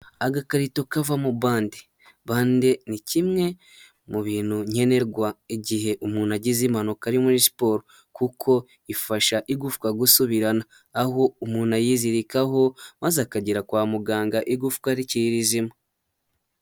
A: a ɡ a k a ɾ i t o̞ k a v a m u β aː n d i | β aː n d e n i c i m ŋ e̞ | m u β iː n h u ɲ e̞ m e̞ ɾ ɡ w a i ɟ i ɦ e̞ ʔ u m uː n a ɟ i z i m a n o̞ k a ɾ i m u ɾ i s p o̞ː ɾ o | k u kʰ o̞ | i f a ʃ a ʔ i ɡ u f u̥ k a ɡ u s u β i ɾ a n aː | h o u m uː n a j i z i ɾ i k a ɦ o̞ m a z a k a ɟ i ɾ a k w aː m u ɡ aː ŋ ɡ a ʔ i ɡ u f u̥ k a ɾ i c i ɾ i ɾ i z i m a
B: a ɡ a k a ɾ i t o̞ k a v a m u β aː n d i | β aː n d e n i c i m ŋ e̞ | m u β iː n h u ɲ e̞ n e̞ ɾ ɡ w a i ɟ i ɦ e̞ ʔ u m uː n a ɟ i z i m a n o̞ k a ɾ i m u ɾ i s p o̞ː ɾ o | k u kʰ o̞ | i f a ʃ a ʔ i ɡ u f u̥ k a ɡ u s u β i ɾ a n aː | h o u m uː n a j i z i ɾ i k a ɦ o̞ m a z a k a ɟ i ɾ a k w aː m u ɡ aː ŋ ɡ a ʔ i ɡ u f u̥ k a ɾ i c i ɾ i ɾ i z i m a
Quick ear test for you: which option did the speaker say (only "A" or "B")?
B